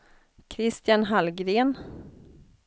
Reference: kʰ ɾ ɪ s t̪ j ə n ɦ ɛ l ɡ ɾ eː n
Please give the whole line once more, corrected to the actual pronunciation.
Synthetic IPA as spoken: kʰ ɾ ɪ s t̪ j a n ɦ a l ɡ ɾ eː n